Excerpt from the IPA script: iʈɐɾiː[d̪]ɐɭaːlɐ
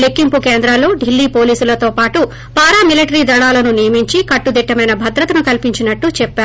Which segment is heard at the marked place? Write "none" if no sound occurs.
d̪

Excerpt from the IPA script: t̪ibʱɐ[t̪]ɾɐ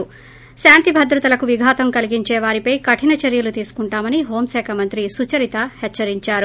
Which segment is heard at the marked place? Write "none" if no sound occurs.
d̪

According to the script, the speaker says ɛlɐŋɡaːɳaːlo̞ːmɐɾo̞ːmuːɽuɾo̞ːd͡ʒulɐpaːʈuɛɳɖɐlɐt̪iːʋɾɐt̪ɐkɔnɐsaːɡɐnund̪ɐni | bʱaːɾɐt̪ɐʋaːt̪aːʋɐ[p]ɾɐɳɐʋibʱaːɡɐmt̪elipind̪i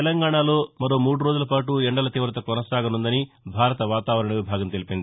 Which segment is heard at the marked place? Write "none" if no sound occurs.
none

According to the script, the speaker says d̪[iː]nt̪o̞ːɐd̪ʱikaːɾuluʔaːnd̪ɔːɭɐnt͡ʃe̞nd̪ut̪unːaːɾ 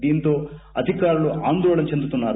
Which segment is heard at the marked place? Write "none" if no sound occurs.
iː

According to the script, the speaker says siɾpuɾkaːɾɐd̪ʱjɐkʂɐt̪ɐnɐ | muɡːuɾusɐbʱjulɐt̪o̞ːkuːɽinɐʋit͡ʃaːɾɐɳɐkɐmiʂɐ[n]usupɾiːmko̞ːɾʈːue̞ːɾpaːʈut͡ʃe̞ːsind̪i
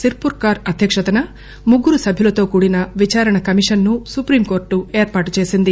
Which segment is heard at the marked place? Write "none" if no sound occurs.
nː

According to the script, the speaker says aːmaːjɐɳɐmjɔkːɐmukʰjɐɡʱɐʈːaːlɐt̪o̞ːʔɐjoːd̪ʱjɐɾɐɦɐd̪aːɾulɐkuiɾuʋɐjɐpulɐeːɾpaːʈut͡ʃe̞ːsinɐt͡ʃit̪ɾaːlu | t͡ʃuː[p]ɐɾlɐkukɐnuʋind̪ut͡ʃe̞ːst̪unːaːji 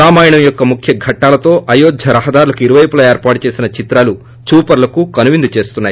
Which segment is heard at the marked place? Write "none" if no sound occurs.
p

